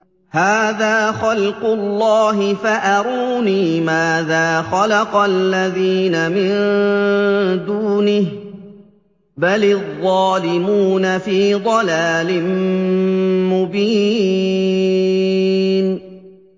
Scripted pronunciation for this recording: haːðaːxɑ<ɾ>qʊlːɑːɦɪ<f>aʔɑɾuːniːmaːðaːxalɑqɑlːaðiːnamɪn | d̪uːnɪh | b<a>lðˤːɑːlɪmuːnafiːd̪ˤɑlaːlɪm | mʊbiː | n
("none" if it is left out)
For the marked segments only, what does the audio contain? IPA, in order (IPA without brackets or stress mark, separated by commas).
l, f, a